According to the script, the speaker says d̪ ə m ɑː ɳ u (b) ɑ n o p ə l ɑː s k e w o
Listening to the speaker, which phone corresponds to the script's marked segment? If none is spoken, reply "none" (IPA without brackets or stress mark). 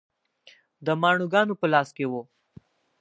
ɡ